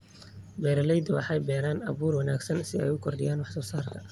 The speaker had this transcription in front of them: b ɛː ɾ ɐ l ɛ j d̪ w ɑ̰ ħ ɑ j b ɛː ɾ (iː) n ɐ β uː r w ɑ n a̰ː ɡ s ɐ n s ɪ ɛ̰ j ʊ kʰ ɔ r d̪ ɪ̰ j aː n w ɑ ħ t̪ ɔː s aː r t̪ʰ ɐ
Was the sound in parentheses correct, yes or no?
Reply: no